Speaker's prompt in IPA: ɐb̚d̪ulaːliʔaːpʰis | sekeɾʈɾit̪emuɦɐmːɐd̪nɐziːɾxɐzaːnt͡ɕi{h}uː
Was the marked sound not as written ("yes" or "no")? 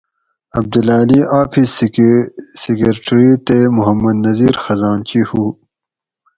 no